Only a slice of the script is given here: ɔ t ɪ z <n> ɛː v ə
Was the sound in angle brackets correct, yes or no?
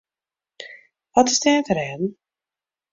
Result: no